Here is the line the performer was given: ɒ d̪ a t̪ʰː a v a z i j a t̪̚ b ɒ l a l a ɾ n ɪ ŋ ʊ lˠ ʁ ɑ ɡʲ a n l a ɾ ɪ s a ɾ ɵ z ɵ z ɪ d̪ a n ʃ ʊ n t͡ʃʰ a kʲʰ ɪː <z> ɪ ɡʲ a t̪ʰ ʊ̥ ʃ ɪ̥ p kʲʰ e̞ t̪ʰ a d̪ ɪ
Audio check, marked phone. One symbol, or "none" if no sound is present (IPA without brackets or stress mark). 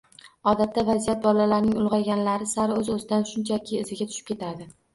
z